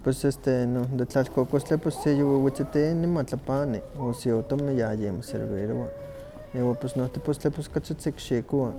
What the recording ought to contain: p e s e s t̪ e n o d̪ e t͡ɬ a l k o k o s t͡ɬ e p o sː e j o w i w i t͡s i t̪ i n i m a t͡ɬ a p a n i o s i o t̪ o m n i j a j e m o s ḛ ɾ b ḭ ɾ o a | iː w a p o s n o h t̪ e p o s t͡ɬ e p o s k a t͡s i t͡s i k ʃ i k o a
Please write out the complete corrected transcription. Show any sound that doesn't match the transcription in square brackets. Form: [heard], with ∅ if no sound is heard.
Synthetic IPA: p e s e s t̪ e n o d̪ e t͡ɬ a l k o k o s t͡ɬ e p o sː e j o w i w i t͡s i t̪ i n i m a t͡ɬ a p a n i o s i o t̪ o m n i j a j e m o s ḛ ɾ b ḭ ɾ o a | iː w a p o s n o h t̪ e p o s t͡ɬ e p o s k a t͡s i t͡s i k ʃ i k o a